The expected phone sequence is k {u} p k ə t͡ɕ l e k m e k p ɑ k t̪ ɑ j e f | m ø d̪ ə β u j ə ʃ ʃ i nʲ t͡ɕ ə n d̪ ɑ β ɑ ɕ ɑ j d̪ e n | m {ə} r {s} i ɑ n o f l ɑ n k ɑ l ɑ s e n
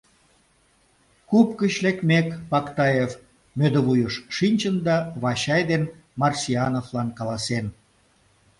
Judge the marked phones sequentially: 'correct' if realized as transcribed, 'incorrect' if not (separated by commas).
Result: correct, incorrect, correct